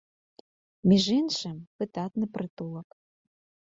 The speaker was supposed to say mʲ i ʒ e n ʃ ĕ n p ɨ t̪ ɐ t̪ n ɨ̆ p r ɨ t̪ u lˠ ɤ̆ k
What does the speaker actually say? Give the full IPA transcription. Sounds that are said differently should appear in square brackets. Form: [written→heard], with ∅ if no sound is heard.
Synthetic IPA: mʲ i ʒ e n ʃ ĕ [n→m] p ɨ t̪ [ɐ→ɑ] t̪ n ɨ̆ p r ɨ t̪ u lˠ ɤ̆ k